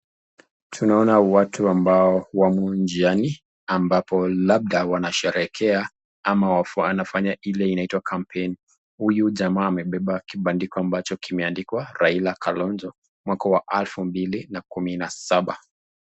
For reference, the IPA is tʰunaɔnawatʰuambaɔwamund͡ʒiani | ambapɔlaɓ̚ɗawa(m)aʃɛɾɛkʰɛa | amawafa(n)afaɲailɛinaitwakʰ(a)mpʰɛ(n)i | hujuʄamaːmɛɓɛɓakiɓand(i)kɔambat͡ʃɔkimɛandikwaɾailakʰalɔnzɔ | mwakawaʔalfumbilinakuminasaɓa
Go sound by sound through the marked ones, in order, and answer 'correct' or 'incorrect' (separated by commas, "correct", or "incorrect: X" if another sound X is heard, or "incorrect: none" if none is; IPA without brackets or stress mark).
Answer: incorrect: n, correct, correct, correct, correct